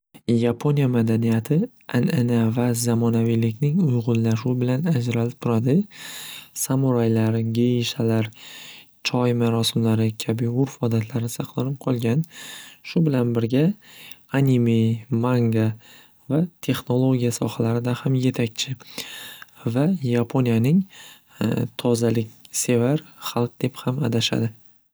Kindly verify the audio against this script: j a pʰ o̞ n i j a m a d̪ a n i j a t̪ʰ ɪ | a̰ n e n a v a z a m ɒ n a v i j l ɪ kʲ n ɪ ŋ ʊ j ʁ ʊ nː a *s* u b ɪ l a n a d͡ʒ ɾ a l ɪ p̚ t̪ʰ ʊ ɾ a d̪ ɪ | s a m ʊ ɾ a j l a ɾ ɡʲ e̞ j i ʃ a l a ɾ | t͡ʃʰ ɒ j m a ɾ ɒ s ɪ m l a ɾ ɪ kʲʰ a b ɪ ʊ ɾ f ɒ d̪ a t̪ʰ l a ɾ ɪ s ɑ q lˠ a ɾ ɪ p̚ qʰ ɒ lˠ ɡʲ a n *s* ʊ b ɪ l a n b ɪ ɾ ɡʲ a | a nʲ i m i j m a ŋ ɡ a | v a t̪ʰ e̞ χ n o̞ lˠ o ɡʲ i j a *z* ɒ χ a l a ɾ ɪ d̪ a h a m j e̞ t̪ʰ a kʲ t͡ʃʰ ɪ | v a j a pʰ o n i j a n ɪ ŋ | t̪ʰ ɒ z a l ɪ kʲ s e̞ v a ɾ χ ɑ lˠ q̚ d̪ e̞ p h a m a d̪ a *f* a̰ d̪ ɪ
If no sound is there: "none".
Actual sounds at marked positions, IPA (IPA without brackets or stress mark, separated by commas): ʃ, ʃ, s, ʃ